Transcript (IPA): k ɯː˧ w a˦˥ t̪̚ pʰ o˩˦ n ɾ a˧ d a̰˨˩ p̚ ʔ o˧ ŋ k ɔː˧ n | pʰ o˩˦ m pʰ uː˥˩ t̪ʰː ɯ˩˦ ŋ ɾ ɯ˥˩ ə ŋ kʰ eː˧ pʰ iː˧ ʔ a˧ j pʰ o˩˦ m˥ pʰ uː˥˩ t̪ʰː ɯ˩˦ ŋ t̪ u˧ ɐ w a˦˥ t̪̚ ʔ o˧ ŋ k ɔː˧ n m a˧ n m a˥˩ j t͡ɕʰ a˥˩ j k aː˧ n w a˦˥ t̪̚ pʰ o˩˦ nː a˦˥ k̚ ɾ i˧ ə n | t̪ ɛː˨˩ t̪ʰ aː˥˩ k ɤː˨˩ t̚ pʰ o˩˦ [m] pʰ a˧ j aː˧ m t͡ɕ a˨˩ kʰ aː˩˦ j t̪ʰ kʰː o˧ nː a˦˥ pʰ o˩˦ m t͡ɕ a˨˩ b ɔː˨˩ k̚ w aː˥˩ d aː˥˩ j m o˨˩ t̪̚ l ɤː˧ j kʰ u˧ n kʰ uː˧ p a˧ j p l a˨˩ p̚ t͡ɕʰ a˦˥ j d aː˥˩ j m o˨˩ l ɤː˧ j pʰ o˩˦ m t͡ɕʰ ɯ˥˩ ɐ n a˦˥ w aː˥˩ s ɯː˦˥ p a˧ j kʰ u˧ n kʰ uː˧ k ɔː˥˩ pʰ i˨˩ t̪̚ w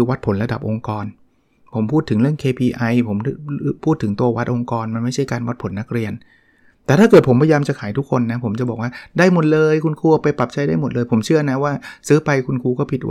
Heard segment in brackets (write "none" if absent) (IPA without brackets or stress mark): m